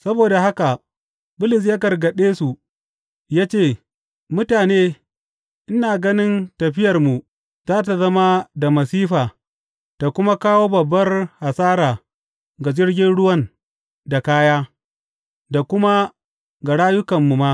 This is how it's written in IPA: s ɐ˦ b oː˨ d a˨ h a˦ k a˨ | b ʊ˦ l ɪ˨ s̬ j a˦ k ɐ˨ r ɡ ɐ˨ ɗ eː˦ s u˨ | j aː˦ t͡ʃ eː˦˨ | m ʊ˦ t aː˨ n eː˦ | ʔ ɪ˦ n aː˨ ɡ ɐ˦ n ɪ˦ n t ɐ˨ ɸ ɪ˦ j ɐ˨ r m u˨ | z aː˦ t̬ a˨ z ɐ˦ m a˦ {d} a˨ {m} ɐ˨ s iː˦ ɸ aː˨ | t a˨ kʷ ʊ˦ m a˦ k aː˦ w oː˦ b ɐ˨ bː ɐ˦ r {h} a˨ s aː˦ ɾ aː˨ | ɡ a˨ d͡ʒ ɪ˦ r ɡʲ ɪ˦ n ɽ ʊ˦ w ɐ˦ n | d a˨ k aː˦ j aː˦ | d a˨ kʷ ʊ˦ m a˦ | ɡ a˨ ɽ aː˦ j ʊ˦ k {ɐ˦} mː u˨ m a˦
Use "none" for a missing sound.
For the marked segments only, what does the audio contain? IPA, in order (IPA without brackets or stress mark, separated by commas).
d, m, h, ɐ˨